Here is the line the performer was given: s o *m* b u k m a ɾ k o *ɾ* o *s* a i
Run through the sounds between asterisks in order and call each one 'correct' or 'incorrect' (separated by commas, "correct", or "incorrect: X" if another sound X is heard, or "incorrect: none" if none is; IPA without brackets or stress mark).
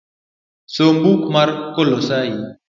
correct, incorrect: l, correct